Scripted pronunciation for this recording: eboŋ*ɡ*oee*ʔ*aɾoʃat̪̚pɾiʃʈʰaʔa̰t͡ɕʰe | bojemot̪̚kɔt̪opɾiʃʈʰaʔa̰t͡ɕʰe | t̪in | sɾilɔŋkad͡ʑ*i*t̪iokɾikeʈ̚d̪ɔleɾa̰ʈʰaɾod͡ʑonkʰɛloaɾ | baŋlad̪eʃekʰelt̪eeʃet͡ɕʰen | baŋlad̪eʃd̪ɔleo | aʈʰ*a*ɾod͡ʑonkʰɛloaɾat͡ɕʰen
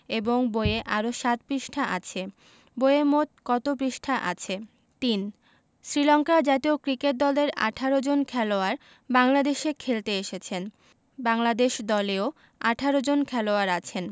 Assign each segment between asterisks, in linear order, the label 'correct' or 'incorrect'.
incorrect, correct, incorrect, correct

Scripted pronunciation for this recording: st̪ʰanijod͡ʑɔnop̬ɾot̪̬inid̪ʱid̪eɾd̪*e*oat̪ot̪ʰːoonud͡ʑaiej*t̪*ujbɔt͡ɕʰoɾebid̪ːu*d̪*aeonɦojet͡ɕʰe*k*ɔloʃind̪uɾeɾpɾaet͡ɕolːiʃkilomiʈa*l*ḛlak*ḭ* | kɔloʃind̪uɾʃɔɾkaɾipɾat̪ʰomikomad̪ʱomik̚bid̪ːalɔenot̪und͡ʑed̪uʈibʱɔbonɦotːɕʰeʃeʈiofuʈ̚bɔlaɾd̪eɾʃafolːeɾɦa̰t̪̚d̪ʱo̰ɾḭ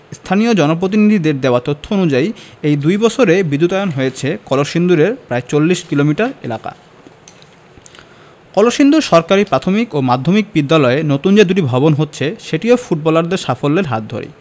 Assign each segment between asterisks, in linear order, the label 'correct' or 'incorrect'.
correct, incorrect, incorrect, correct, incorrect, incorrect

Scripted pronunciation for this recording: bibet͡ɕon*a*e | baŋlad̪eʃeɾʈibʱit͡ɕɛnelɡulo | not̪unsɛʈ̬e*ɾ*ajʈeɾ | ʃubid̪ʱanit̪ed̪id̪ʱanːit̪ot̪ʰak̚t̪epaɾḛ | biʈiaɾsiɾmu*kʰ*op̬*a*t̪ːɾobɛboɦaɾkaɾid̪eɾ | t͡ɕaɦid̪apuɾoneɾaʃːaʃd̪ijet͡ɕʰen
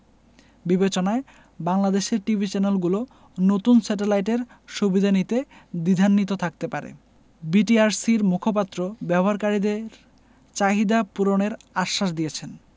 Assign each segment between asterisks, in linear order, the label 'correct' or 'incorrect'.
correct, incorrect, correct, correct

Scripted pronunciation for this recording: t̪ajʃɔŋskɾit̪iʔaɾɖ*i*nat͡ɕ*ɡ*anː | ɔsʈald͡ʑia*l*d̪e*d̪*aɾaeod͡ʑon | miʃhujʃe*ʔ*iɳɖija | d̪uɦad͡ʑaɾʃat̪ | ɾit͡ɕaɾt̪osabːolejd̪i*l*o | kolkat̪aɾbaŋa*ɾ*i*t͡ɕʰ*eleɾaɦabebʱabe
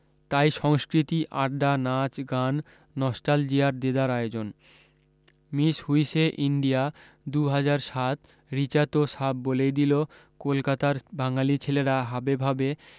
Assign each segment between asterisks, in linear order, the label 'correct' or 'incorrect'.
incorrect, correct, incorrect, correct, correct, correct, incorrect, correct

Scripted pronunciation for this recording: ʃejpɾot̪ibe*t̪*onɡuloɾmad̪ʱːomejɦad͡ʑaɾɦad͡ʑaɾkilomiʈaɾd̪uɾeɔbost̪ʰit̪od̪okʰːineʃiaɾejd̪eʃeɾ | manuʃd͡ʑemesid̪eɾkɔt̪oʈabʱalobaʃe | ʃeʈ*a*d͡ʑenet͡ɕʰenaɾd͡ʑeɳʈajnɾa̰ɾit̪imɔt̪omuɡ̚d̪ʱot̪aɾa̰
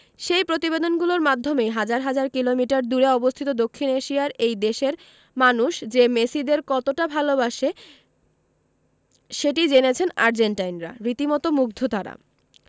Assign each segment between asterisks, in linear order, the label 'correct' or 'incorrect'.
incorrect, incorrect

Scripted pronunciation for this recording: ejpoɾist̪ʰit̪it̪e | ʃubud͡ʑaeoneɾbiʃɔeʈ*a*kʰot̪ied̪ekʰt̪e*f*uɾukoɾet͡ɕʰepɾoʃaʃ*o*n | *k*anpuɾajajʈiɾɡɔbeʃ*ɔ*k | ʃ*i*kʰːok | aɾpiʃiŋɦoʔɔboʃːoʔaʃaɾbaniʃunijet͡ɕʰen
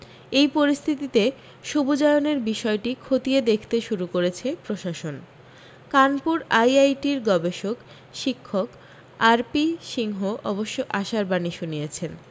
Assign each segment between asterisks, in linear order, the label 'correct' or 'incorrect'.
incorrect, incorrect, correct, correct, incorrect, correct

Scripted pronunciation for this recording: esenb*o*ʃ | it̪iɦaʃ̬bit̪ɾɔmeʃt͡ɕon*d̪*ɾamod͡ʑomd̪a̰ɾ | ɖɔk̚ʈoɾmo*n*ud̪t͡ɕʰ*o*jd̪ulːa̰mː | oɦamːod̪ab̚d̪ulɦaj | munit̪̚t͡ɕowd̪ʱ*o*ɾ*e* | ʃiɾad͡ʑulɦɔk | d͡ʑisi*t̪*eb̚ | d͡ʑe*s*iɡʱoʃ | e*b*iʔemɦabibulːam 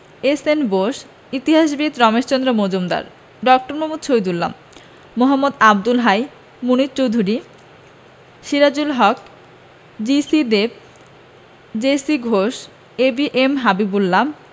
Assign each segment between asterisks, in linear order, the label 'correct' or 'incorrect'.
correct, correct, incorrect, correct, incorrect, incorrect, incorrect, correct, correct

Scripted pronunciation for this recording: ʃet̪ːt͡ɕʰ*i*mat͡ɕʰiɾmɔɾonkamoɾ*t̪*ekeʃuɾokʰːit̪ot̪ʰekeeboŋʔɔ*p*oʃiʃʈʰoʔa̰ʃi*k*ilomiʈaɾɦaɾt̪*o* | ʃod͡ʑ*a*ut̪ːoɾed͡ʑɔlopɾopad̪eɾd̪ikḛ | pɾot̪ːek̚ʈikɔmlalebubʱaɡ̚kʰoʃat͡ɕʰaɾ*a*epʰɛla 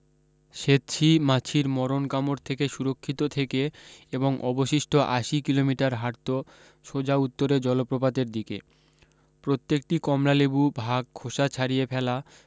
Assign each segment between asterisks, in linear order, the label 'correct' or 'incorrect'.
correct, incorrect, incorrect, correct, correct, correct, incorrect

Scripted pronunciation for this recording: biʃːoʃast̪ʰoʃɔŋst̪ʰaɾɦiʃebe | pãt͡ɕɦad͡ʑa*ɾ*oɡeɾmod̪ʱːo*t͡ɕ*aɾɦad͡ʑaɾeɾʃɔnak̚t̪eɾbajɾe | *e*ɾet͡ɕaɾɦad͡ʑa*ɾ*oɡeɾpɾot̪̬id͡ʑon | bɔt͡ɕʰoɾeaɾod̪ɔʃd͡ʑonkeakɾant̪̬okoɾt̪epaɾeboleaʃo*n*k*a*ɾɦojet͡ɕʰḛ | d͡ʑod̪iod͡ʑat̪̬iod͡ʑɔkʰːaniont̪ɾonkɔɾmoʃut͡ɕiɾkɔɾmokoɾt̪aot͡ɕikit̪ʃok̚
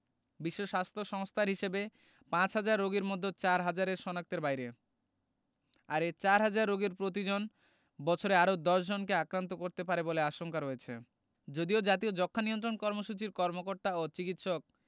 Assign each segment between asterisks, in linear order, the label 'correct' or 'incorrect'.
incorrect, correct, incorrect, incorrect, incorrect, correct

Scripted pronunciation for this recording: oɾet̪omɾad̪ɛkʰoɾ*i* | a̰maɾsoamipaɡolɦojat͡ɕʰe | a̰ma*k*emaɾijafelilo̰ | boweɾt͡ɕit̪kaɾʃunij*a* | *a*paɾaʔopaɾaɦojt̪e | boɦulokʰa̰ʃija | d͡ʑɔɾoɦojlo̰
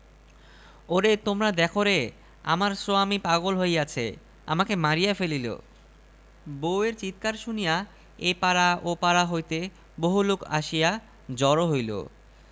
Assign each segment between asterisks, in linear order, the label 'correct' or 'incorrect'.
incorrect, correct, correct, incorrect

